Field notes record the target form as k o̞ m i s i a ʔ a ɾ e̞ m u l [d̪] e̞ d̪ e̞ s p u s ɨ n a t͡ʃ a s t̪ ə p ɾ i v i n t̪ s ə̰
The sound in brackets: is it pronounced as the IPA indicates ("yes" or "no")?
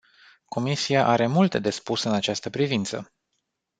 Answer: no